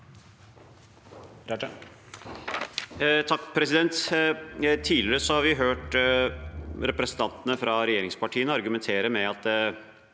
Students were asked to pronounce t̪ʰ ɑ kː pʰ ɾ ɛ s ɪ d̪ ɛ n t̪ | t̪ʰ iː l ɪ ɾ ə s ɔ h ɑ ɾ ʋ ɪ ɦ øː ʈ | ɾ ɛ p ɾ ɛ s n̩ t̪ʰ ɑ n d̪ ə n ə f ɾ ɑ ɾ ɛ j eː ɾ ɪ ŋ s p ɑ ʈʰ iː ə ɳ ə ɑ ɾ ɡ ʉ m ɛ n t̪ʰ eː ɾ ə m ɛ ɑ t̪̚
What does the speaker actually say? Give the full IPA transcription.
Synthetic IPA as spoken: t̪ʰ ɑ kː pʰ ɾ ɛ s ɪ d̪ ɛ n t̪ | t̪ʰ iː l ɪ ɾ ə s ɔ h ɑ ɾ ʋ ɪ ɦ øː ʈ | ɾ ɛ p ɾ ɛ s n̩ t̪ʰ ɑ n t̪ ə n ə f ɾ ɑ ɾ ɛ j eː ɾ ɪ ŋ s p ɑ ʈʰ iː ə n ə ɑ ɾ ɡ ʉ m ɛ n t̪ʰ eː ɾ ə m ɛ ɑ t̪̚